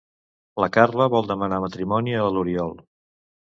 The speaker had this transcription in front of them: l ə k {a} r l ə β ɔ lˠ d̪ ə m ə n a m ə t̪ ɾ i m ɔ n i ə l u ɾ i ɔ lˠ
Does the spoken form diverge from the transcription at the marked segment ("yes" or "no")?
no